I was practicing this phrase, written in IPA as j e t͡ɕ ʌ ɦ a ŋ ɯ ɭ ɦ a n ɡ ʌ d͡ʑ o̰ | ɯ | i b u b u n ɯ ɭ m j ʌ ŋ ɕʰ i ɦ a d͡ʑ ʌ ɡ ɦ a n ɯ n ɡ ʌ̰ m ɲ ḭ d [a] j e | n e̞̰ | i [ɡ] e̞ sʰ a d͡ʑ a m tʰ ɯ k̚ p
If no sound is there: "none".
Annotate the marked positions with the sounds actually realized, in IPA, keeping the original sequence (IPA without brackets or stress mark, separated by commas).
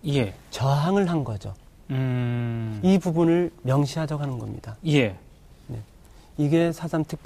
a, ɡ